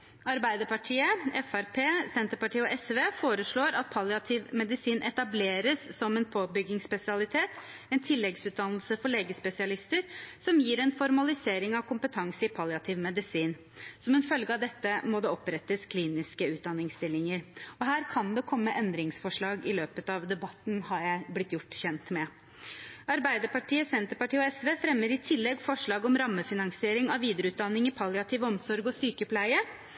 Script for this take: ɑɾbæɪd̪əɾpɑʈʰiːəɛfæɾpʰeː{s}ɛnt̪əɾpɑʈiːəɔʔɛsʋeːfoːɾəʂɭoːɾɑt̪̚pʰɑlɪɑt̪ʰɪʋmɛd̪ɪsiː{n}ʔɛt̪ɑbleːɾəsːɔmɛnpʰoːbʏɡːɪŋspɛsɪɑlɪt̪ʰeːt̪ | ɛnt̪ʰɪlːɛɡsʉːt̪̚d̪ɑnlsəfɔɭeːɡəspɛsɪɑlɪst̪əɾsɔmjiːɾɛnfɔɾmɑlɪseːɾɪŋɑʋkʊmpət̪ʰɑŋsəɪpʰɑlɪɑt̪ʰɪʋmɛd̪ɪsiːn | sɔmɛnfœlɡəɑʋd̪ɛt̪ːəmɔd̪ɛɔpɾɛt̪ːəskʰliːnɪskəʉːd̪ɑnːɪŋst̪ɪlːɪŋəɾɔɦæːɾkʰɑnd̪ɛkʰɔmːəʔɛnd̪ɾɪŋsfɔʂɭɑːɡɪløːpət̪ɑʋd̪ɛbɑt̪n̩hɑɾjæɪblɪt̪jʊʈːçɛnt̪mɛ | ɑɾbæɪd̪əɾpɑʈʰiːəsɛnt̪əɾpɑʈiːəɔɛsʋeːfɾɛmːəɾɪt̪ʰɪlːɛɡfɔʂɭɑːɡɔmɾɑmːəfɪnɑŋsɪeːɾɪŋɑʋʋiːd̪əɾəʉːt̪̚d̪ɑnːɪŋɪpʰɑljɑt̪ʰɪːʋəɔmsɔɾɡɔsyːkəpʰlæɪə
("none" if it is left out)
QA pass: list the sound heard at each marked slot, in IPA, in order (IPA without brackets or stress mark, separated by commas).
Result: s, n